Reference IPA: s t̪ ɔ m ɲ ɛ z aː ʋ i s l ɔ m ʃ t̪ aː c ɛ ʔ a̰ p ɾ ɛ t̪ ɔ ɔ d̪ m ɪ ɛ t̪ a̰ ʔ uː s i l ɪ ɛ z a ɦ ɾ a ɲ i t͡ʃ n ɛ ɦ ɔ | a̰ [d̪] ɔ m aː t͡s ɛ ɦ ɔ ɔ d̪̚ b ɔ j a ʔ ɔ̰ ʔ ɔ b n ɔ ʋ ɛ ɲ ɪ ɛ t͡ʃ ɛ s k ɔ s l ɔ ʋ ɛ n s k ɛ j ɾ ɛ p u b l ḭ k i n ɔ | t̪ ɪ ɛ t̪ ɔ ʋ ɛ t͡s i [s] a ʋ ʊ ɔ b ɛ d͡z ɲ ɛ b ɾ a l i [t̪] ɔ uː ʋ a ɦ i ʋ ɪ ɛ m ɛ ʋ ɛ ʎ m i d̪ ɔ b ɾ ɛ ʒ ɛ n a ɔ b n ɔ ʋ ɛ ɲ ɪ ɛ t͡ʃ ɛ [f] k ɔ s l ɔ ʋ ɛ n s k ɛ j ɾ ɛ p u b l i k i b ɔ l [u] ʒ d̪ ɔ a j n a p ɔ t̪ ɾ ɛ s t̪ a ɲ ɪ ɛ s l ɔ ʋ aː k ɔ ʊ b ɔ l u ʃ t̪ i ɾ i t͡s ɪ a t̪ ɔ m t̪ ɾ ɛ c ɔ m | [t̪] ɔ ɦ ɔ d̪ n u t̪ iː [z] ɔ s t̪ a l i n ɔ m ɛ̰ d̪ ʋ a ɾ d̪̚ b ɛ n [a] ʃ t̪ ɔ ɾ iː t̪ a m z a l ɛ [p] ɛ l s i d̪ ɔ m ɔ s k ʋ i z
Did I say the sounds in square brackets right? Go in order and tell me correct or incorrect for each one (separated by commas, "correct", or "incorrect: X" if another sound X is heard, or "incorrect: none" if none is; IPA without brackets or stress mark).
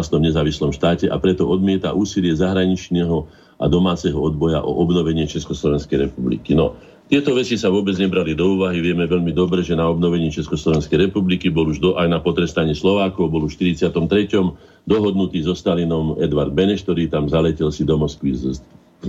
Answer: correct, correct, incorrect: d̪, incorrect: s, correct, incorrect: d̪, correct, incorrect: ɛ, incorrect: c